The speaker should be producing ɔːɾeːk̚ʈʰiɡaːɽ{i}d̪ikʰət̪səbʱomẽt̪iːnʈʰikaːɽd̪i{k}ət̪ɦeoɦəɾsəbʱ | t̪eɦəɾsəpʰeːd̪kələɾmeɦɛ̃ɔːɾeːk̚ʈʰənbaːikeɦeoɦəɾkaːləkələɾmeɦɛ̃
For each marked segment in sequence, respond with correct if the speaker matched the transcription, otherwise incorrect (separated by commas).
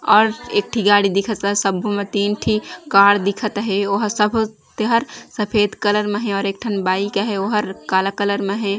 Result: correct, incorrect